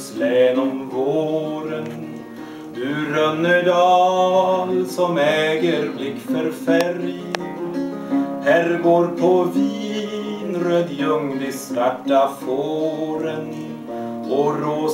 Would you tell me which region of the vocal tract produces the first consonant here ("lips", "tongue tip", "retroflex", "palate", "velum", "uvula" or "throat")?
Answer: tongue tip